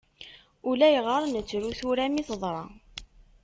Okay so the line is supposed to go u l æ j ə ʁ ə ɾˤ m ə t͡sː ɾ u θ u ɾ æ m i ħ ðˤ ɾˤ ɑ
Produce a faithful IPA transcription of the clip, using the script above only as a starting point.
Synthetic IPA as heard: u l æ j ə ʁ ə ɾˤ n ə t͡sː ɾ u θ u ɾ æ m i θ ðˤ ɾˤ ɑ